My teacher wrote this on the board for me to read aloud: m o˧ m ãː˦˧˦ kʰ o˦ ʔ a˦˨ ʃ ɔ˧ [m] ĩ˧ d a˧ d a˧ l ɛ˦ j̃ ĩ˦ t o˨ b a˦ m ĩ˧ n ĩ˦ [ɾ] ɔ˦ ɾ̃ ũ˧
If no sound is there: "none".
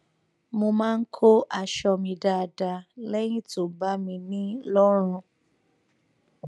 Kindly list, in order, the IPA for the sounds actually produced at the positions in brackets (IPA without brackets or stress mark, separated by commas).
m, l